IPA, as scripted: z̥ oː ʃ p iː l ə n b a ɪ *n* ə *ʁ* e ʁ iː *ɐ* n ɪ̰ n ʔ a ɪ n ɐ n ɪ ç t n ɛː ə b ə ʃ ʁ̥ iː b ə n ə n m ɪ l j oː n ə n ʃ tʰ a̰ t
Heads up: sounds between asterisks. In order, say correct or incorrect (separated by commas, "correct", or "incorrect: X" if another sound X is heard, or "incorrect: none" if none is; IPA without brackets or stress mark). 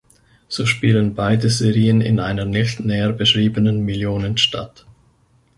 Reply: incorrect: d, incorrect: z, incorrect: ə